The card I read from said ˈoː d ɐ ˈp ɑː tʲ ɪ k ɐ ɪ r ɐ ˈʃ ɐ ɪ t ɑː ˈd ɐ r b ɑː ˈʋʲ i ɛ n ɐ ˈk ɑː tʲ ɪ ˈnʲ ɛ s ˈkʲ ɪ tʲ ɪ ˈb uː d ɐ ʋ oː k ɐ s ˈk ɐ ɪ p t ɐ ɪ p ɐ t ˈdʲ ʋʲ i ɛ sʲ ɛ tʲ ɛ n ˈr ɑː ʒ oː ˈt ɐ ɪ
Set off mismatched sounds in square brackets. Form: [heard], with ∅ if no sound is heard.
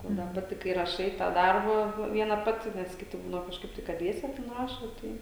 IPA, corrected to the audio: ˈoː d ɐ ˈp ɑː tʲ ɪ k ɐ ɪ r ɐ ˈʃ ɐ ɪ t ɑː ˈd ɐ r b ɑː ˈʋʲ i ɛ n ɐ [ˈp] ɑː tʲ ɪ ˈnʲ ɛ s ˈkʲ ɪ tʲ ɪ ˈb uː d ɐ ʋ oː k ɐ [ʃ] ˈk ɐ ɪ p t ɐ ɪ [k] ɐ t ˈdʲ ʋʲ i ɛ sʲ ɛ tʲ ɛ n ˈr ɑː [ʃ] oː ˈt ɐ ɪ